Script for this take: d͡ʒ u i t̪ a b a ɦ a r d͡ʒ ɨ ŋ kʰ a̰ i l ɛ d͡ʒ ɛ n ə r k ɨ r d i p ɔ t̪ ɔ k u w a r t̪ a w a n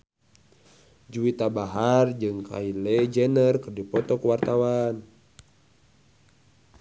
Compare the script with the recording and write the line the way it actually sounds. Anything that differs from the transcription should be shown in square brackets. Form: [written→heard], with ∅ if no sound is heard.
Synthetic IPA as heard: d͡ʒ u i t̪ a b a ɦ a r d͡ʒ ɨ ŋ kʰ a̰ i l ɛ d͡ʒ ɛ n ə r k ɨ r d i p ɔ t̪ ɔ k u w a r t̪ a w a n